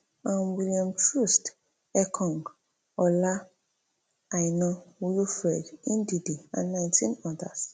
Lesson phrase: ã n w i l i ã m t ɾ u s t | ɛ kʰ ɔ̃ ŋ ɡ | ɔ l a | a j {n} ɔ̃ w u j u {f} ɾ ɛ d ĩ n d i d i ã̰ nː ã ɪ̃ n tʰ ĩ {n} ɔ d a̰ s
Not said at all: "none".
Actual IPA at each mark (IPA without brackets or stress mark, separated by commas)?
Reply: n, f, n